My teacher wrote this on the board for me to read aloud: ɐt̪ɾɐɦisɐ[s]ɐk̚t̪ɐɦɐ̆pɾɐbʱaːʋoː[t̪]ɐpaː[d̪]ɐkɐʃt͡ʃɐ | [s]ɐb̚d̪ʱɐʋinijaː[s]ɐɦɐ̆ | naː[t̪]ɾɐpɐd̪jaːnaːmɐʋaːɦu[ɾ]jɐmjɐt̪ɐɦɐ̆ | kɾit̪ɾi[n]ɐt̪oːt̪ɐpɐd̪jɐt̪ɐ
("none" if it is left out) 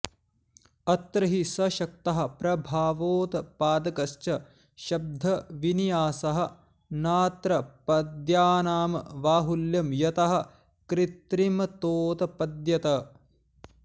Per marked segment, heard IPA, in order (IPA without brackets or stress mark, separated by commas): ʃ, t̪, d̪, ʃ, s, t̪, l, m